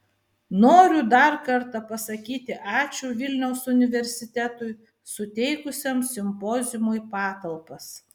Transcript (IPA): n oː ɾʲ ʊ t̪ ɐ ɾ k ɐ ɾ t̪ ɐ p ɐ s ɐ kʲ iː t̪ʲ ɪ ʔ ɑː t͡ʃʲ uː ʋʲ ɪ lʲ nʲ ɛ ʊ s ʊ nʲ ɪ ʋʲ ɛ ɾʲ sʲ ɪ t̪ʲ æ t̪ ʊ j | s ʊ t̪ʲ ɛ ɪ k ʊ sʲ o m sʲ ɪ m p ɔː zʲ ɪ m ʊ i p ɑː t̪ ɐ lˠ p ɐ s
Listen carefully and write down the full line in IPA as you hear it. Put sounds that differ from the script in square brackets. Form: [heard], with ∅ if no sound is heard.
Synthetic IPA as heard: n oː ɾʲ ʊ [d̪] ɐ ɾ k ɐ ɾ t̪ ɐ p ɐ s ɐ kʲ iː t̪ʲ ɪ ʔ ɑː t͡ʃʲ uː ʋʲ ɪ lʲ nʲ ɛ ʊ s ʊ nʲ ɪ ʋʲ ɛ ɾʲ sʲ ɪ t̪ʲ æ t̪ ʊ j | s ʊ t̪ʲ ɛ ɪ k ʊ sʲ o m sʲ ɪ m p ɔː zʲ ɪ m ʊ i p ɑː t̪ ɐ lˠ p ɐ s